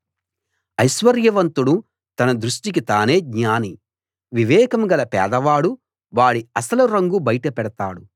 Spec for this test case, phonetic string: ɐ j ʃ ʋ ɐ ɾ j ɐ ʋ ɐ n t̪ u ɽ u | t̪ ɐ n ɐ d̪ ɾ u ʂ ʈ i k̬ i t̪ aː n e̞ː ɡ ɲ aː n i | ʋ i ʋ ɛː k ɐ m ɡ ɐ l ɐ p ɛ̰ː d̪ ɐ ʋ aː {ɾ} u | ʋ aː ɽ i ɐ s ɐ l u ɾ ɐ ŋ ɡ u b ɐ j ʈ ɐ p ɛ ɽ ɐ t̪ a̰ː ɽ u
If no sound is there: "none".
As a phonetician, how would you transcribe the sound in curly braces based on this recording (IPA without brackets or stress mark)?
ɽ